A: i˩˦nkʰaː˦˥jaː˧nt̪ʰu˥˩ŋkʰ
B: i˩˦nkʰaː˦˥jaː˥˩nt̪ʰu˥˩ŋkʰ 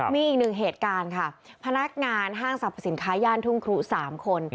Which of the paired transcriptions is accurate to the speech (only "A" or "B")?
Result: B